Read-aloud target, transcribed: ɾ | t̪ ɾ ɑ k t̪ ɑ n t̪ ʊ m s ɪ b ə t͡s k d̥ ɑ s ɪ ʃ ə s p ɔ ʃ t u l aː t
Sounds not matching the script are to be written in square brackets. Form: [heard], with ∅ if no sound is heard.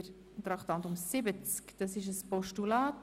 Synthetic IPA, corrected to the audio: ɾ | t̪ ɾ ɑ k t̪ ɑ n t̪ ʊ m s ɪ b ə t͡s k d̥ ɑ s ɪ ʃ ə s p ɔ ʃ t u l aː t

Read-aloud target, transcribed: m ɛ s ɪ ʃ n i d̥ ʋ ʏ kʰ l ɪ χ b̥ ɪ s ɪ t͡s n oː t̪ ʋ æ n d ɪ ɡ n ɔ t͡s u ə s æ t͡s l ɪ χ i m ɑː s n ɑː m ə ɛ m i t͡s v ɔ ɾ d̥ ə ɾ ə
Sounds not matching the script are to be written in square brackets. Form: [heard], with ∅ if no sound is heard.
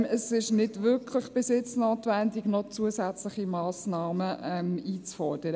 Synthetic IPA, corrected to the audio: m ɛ s ɪ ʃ n [ɪ] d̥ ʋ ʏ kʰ l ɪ χ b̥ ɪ s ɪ t͡s n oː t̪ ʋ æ n d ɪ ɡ n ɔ t͡s u ə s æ t͡s l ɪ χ i m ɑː s n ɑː m ə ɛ m [iː] t͡s [f] ɔ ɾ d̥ ə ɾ ə

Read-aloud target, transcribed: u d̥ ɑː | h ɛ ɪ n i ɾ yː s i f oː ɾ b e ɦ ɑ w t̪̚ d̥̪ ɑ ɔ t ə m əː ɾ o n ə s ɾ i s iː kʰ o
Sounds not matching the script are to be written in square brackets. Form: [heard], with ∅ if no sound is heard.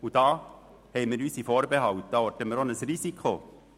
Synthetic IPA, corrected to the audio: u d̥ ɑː | h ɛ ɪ [m] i ɾ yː s i f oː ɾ b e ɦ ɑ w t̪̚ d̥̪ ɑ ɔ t ə m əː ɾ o n ə s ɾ i s [i] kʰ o

